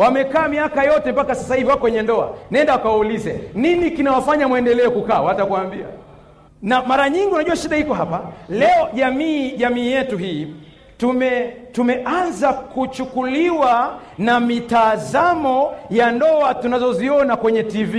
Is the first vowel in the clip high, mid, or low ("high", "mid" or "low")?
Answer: low